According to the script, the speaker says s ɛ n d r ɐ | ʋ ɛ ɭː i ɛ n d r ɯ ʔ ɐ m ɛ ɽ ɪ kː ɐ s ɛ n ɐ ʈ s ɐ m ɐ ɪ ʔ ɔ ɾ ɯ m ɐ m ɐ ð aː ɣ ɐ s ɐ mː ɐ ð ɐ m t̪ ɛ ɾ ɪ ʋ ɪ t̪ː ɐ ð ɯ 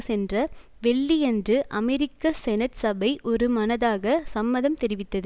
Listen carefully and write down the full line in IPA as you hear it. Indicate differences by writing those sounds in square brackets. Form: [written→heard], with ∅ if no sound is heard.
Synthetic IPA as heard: s ɛ n d r ɐ | ʋ ɛ ɭː i ɛ n d r ɯ ʔ ɐ m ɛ [ɽ→ɾ] ɪ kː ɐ s ɛ n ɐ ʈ s ɐ [m→b] ɐ ɪ ʔ ɔ ɾ ɯ m ɐ [m→n] ɐ ð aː ɣ ɐ s ɐ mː ɐ ð ɐ m t̪ ɛ ɾ ɪ ʋ ɪ t̪ː ɐ ð ɯ